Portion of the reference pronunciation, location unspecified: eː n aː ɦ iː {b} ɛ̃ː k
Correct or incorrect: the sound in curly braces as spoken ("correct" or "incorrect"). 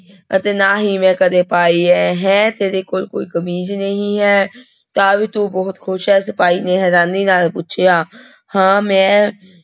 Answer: incorrect